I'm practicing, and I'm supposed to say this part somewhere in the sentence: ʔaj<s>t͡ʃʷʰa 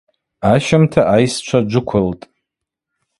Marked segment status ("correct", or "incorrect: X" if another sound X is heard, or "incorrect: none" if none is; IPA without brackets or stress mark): correct